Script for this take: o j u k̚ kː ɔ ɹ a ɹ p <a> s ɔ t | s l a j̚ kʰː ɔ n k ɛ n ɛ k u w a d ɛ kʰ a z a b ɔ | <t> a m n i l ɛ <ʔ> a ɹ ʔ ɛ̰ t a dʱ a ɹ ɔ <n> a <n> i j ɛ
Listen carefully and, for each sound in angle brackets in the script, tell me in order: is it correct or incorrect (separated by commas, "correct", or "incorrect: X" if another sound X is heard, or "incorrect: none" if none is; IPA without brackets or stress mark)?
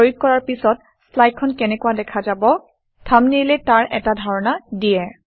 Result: incorrect: i, incorrect: tʰ, incorrect: t, correct, incorrect: d